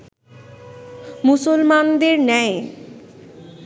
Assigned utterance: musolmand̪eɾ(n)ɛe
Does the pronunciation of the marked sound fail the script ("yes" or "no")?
no